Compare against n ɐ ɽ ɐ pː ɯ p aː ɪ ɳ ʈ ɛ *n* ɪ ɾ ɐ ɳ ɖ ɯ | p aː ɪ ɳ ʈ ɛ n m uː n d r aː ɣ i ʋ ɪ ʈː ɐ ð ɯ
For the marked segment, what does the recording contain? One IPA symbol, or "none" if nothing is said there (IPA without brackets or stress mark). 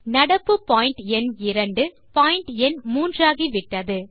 n